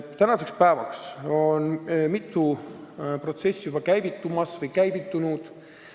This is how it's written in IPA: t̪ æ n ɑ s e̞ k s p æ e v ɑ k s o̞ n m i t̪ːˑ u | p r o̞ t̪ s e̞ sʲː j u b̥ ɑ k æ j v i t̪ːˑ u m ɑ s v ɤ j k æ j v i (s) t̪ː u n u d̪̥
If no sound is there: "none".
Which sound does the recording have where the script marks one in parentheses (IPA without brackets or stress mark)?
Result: none